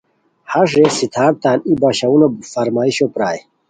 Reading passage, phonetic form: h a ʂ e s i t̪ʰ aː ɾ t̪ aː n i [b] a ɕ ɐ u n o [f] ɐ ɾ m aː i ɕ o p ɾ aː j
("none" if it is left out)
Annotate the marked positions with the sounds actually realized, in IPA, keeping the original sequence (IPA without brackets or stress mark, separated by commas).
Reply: b, f